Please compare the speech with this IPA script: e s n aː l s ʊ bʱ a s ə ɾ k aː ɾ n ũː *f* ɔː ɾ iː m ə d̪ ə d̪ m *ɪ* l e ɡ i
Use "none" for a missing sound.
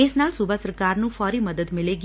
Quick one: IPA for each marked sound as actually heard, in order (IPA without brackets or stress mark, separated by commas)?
f, ɪ